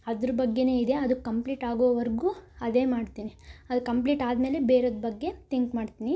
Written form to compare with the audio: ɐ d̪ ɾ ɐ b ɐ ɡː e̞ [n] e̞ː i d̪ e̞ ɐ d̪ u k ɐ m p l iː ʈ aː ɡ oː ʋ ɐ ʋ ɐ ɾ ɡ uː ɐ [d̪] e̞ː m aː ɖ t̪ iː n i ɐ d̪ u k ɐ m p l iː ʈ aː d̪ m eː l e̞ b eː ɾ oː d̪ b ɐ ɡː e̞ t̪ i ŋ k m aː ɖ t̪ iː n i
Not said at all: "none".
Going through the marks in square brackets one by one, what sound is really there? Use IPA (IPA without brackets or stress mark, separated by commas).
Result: n, d̪